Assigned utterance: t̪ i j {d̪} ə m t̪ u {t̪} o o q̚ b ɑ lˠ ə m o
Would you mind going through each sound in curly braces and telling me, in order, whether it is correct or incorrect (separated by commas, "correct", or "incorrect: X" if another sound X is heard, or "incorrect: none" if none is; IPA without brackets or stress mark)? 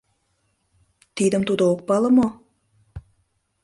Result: correct, incorrect: d̪